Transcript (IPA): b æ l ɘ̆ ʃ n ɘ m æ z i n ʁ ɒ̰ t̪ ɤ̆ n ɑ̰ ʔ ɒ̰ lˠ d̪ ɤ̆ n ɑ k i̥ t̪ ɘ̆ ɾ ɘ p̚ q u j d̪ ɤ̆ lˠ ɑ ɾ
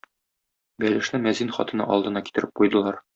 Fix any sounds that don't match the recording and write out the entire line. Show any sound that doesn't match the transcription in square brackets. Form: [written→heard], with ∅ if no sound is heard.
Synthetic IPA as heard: b æ l ɘ̆ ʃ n ɘ m æ z i n [ʁ→χ] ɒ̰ t̪ ɤ̆ n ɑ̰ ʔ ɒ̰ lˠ d̪ ɤ̆ n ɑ k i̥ t̪ ɘ̆ ɾ ɘ p̚ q u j d̪ ɤ̆ lˠ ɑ ɾ